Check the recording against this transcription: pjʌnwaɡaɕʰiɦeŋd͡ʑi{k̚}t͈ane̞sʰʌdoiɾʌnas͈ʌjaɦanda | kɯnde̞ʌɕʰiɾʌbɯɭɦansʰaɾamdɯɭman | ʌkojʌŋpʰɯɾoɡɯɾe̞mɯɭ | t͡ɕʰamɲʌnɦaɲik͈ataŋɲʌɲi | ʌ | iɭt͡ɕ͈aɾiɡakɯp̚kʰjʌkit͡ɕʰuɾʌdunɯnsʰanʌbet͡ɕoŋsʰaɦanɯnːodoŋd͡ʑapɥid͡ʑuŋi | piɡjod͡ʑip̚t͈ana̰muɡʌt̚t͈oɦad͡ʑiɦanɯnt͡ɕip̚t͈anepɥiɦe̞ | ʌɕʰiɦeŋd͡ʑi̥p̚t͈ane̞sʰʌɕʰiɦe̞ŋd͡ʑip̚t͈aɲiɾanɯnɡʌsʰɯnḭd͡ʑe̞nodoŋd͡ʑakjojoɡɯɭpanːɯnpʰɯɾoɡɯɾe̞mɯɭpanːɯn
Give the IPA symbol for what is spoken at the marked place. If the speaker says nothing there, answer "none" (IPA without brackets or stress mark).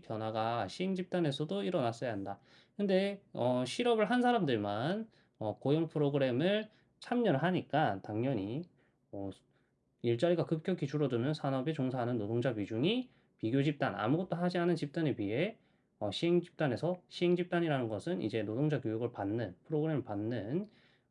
p̚